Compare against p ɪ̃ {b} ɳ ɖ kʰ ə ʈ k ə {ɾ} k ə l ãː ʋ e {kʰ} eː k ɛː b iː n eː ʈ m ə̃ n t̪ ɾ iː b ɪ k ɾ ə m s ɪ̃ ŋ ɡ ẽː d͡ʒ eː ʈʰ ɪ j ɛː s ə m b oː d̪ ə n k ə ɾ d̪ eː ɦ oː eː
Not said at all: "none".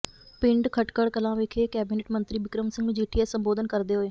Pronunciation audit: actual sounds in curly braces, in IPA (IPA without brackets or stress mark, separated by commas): none, ɽ, kʰ